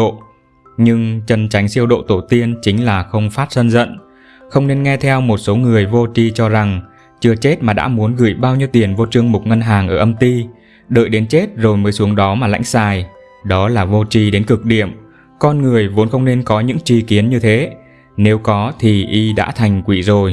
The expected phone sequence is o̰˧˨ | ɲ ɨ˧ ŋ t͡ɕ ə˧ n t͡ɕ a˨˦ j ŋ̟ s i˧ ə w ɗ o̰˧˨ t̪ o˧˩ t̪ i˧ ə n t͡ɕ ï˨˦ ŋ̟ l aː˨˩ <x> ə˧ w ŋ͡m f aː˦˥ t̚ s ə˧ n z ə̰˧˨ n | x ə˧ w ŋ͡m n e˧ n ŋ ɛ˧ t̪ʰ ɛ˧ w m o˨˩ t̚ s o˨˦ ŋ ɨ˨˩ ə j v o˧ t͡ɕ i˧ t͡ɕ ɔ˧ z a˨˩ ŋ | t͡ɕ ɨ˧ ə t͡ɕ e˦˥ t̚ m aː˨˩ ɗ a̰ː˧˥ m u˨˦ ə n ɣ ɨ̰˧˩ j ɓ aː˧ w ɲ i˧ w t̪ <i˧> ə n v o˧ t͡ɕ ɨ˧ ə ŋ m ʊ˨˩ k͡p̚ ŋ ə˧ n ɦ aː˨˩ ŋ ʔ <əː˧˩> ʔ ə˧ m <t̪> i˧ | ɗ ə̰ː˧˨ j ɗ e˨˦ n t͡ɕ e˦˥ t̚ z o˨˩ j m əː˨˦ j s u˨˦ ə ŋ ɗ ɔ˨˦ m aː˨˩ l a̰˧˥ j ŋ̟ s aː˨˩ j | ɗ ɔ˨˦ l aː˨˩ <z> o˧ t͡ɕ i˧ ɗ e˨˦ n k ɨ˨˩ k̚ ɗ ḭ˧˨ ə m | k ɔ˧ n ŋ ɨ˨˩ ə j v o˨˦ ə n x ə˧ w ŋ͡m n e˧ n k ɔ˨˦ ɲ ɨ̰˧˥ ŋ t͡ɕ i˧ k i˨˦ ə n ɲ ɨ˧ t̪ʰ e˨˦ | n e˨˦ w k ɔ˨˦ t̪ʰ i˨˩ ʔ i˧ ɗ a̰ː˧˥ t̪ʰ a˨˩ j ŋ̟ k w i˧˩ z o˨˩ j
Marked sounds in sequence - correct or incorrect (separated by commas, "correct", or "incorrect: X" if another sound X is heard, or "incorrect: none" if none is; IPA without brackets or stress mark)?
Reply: correct, incorrect: i˨˩, correct, correct, incorrect: v